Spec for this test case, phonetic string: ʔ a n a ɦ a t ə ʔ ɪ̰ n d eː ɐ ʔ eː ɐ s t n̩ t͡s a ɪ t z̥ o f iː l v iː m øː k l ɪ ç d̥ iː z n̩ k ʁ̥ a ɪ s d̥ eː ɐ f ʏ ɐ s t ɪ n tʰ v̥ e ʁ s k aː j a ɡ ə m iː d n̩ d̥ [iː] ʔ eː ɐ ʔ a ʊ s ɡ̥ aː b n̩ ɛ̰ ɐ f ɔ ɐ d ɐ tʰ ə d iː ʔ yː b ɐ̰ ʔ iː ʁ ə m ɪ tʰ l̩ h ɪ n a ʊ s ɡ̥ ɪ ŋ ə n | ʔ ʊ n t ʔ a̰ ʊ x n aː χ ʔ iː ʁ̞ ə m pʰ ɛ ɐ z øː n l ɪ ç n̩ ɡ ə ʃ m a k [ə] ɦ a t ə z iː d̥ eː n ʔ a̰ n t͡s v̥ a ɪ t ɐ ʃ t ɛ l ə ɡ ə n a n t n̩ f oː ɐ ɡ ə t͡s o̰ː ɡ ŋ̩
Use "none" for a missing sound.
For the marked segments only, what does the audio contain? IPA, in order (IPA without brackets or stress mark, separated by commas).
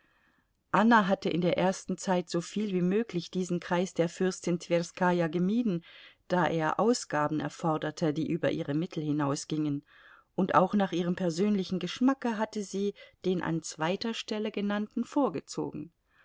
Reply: aː, ə